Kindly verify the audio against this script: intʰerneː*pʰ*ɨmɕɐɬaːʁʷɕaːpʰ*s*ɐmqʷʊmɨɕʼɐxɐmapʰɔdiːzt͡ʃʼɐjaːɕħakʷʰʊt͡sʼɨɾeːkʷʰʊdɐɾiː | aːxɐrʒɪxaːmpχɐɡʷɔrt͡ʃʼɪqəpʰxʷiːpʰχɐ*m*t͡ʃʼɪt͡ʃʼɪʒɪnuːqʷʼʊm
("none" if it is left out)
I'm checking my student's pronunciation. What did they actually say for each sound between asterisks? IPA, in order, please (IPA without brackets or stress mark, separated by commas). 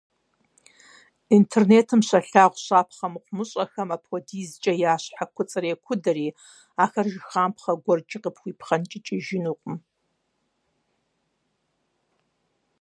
tʰ, χ, n